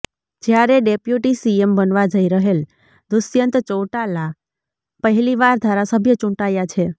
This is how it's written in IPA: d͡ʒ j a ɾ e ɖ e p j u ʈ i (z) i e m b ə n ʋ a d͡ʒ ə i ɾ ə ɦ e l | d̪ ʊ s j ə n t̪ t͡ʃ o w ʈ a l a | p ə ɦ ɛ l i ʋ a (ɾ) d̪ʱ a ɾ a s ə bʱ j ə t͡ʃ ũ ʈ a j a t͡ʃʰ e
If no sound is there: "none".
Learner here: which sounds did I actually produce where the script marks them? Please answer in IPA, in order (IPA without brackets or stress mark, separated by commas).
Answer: s, ɾ